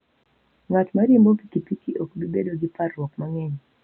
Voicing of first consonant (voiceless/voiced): voiced